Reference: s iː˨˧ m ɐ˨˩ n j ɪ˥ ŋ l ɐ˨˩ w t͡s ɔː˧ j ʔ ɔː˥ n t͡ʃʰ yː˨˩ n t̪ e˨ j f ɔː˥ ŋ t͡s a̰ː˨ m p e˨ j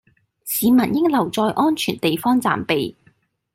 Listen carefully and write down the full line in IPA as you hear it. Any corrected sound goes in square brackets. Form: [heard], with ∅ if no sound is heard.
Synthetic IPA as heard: s iː˨˧ m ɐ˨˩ n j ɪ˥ ŋ l ɐ˨˩ w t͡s ɔː˧ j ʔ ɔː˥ n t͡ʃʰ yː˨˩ n t̪ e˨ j f ɔː˥ ŋ t͡s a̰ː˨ m p e˨ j